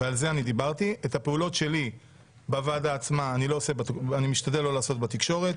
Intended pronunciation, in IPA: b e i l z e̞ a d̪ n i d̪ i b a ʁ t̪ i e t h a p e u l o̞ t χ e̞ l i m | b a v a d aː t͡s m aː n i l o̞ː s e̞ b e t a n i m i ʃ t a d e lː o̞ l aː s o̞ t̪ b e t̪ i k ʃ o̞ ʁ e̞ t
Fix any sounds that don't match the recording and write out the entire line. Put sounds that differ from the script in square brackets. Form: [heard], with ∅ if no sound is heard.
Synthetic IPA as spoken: [v] e [a] l z e̞ a [∅] n i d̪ i b a ʁ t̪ i e t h a p e u l o̞ t [ʃ] e̞ l i [∅] | b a v a d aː t͡s m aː n i l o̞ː s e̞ b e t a n i m i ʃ t a d e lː o̞ l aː s o̞ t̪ b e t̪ i k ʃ o̞ ʁ e̞ t